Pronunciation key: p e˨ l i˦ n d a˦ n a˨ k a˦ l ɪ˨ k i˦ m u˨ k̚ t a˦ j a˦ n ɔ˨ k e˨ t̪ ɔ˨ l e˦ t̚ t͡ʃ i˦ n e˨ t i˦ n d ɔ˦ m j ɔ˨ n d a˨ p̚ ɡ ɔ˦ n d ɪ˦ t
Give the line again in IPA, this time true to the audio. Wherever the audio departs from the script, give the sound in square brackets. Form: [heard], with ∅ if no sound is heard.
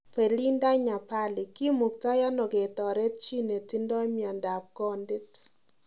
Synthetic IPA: p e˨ l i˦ n d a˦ [ɲ] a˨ [p] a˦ l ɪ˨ k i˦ m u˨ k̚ t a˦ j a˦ n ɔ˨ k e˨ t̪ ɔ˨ [ɾ] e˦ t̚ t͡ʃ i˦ n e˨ t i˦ n d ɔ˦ m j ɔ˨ n d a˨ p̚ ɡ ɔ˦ n d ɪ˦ t